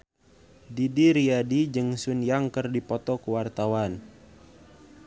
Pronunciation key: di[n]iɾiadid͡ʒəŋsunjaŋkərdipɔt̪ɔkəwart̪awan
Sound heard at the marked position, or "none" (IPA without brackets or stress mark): d